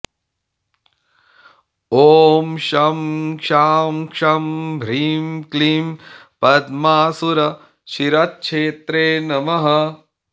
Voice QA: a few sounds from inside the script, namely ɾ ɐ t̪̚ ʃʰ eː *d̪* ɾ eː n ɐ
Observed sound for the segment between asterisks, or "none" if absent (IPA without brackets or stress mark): t̪